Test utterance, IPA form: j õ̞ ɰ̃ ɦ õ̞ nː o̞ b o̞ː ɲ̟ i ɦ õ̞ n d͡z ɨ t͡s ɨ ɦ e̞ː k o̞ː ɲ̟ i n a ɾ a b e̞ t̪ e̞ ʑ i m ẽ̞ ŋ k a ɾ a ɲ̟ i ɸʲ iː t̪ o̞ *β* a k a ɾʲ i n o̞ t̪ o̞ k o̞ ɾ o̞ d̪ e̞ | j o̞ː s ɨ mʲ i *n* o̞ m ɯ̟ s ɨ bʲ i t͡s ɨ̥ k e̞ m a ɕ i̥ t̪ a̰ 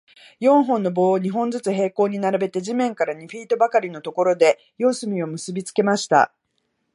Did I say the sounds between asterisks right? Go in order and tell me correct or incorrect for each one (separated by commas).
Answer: incorrect, incorrect